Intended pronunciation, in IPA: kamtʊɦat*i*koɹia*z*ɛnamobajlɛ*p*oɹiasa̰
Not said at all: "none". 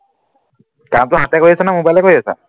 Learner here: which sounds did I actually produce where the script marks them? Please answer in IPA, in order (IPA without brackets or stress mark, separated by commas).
ɛ, s, k